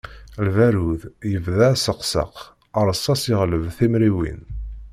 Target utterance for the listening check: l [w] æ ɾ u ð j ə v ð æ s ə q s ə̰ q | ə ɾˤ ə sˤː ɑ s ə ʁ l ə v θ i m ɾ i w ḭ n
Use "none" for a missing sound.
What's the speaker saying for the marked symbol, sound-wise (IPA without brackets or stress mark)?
v